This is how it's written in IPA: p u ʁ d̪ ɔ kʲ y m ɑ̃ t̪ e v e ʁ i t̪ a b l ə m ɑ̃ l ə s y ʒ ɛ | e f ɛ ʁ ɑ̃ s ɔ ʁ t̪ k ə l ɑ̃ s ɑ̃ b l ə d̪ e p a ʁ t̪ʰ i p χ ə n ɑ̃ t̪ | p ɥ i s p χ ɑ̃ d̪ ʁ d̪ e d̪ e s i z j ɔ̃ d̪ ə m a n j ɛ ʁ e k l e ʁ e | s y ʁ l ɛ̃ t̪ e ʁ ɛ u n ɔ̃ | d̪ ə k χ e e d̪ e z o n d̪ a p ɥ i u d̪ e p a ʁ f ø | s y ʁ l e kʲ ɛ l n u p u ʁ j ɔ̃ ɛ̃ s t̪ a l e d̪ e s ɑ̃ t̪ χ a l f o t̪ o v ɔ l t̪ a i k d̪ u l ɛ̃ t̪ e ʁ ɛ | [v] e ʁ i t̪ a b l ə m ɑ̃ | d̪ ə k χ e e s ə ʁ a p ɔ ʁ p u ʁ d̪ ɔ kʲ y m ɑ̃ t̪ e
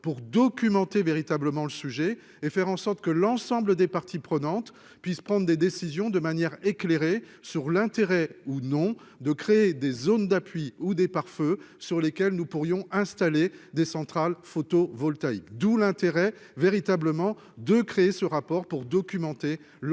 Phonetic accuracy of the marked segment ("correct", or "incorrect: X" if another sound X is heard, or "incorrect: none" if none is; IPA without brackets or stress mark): correct